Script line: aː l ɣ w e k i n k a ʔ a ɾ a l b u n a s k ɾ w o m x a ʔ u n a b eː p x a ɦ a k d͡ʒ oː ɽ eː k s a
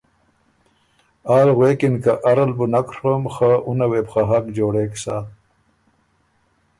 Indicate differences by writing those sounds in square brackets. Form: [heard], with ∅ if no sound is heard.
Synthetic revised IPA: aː l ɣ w e k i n k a ʔ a ɾ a l b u n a [∅] k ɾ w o m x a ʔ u n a [w] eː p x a ɦ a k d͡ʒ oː ɽ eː k s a